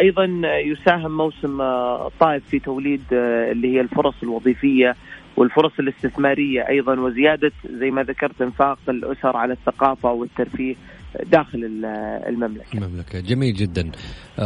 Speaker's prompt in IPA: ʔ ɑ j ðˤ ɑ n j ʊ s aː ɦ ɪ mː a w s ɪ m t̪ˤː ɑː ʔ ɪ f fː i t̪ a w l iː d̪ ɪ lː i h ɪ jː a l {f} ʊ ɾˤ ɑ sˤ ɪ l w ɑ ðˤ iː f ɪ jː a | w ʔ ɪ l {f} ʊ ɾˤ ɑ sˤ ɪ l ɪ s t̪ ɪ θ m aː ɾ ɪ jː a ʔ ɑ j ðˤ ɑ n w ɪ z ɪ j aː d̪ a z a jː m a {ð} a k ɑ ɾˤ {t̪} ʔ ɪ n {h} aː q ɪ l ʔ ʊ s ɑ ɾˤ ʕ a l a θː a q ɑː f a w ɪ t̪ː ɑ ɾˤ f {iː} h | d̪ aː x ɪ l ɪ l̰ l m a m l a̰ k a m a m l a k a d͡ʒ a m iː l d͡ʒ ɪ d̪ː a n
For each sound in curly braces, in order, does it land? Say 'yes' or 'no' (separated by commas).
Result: yes, yes, yes, yes, no, yes